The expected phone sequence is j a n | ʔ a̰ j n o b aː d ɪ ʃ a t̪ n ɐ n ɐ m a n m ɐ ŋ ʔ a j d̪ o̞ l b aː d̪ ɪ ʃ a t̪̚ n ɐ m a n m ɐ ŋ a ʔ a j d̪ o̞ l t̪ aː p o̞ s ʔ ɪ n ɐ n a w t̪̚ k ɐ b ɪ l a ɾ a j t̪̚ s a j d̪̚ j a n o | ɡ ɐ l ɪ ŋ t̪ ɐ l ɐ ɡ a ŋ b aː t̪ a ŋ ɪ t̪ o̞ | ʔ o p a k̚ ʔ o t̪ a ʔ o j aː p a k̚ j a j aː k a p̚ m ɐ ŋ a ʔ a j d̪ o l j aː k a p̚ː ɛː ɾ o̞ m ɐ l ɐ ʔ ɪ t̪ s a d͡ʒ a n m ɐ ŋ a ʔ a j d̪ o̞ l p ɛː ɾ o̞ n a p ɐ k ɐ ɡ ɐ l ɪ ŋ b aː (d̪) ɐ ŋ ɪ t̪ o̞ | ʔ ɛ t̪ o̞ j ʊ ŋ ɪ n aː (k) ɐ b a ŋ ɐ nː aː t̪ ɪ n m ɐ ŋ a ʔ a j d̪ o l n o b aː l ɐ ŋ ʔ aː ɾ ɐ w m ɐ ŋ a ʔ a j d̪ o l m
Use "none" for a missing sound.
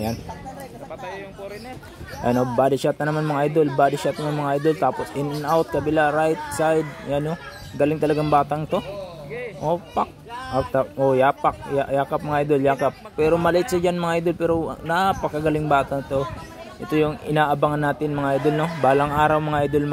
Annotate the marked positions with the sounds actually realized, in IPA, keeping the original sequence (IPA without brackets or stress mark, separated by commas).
t̪, ʔ